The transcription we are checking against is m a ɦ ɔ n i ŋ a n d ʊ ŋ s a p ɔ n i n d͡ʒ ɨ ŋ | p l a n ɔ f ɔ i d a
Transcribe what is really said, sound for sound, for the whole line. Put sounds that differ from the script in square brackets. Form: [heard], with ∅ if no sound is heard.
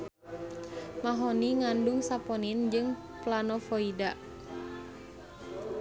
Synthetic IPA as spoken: m a ɦ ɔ n i ŋ a n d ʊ ŋ s a p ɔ n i n d͡ʒ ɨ ŋ | p l a n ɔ f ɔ i d a